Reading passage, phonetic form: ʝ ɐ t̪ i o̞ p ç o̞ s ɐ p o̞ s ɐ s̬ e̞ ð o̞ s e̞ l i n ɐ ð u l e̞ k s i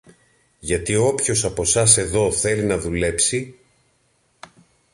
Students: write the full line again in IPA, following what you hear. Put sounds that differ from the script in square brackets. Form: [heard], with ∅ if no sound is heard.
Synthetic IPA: ʝ ɐ t̪ i o̞ p ç o̞ s ɐ p o̞ s ɐ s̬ e̞ ð o̞ [θ] e̞ l i n ɐ ð u l e̞ [p] s i